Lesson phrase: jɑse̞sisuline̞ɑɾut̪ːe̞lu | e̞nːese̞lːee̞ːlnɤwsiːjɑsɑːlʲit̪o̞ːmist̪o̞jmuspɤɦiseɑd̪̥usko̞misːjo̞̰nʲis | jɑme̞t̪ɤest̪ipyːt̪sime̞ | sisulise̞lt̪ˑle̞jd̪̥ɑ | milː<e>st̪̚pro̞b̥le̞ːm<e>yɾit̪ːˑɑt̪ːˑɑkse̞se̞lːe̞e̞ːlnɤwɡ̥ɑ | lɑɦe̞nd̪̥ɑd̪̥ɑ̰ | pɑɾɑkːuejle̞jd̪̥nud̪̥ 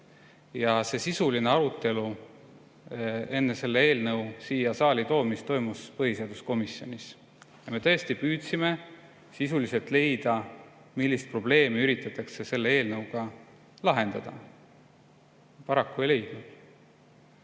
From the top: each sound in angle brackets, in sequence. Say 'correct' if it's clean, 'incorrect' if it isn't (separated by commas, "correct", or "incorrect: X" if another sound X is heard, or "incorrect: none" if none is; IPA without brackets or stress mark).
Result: incorrect: i, incorrect: i